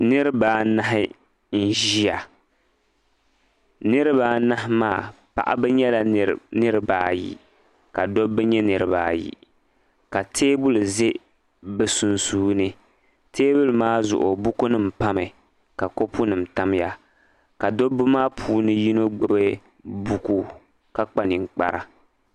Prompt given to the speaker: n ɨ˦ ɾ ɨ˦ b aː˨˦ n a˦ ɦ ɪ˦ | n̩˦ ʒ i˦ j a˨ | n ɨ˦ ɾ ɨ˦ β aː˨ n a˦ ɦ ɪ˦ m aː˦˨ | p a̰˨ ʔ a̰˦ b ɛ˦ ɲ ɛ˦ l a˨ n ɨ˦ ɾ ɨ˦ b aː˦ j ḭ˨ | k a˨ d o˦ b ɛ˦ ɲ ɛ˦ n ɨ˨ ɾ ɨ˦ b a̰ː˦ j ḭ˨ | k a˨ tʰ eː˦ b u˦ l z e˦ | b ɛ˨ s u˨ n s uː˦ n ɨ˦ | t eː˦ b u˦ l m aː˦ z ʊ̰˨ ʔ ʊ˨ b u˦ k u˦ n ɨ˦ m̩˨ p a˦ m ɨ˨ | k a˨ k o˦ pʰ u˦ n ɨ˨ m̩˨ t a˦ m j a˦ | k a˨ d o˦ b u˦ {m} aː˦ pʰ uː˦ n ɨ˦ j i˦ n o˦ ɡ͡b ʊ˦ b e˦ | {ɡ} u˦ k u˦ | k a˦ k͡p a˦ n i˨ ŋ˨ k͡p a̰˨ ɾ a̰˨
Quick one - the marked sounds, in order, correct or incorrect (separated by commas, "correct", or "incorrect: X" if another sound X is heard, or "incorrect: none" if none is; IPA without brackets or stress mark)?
correct, incorrect: b